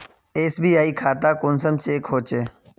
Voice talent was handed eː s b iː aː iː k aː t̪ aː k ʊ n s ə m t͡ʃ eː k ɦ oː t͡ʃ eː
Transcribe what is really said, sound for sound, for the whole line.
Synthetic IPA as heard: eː s b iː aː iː kʰ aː t̪ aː k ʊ n s ə m t͡ʃ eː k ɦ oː t͡ʃ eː